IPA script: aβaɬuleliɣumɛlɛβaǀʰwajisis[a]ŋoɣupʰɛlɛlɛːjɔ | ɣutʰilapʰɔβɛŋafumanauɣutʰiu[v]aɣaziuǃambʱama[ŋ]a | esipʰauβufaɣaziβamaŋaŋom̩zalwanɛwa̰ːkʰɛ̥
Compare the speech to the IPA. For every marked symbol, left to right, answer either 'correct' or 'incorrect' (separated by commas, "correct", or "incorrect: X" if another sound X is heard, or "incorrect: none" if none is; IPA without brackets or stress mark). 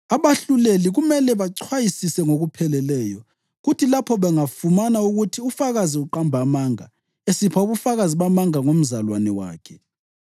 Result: incorrect: ɛ, incorrect: f, correct